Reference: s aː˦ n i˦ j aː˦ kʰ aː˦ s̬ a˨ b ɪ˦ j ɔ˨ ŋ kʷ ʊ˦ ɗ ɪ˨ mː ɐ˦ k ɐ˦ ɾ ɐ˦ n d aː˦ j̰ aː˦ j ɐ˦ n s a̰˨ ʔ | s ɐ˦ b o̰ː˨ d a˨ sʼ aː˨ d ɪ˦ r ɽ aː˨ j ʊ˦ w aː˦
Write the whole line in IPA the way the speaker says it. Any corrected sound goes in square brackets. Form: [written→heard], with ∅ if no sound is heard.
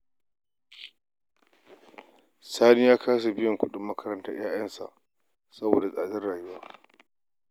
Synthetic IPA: s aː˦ n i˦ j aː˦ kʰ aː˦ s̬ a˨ b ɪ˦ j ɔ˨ ŋ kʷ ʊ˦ ɗ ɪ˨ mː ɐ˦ k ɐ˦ ɾ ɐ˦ n [d→t] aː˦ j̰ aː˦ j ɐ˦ n s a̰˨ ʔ | s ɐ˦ b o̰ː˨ d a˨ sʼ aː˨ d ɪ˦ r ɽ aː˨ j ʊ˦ w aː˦